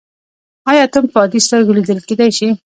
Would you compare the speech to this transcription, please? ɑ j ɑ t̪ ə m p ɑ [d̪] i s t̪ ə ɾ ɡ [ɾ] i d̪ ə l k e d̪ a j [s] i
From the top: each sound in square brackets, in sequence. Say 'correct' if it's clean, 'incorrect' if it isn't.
correct, incorrect, incorrect

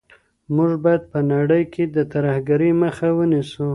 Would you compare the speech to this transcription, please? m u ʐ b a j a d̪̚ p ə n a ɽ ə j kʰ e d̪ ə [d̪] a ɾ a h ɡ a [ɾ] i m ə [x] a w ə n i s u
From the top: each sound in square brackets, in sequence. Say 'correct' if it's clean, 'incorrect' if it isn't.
incorrect, correct, correct

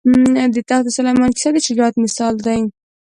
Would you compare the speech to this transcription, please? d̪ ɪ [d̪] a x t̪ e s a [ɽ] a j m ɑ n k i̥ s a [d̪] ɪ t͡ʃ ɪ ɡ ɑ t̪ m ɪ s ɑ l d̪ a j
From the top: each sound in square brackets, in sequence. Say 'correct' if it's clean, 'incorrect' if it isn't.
incorrect, incorrect, correct

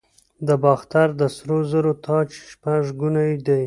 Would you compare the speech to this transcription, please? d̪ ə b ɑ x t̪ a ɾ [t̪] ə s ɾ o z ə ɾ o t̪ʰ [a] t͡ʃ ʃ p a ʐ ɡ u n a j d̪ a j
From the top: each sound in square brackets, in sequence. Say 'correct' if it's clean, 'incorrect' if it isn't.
incorrect, incorrect

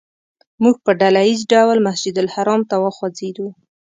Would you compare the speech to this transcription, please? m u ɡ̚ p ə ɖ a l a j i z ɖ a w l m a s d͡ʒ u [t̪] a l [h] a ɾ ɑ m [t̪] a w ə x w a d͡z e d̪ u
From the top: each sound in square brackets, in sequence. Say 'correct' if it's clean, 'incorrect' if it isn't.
incorrect, correct, correct

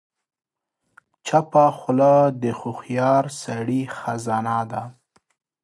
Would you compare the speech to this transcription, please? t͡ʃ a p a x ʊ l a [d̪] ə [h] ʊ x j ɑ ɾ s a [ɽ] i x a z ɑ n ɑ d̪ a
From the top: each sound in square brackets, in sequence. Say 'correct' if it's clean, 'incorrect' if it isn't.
correct, incorrect, correct

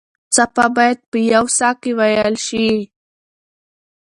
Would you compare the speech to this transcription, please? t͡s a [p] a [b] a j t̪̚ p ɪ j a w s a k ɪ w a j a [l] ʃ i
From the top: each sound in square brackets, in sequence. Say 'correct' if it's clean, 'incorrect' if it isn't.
correct, correct, correct

